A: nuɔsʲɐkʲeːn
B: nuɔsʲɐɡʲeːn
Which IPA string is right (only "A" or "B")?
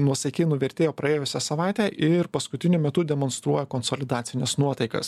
A